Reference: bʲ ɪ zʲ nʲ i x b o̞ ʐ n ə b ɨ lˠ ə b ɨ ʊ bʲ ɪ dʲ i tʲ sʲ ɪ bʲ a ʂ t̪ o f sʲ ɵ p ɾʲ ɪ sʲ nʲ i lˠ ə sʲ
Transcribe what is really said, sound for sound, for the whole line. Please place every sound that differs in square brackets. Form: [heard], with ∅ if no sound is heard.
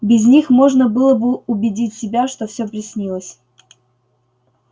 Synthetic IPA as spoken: bʲ ɪ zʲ nʲ i x [m] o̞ ʐ n ə b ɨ lˠ ə b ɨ ʊ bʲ ɪ dʲ i tʲ sʲ ɪ bʲ a ʂ t̪ o f sʲ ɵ p ɾʲ ɪ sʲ nʲ i lˠ ə sʲ